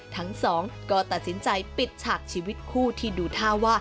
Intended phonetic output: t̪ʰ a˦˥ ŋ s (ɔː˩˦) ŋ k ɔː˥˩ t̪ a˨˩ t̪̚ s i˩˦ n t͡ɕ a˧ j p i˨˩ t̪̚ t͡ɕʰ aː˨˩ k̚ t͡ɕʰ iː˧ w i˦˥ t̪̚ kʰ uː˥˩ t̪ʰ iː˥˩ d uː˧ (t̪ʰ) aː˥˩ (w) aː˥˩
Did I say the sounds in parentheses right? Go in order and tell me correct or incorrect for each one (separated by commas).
correct, correct, correct